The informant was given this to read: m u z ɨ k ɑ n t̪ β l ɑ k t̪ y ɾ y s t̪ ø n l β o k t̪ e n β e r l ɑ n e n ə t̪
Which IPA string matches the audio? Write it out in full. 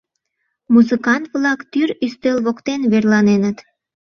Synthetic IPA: m u z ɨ k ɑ n t̪ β l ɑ k t̪ y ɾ y s t̪ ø l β o k t̪ e n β e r l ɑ n e n ə t̪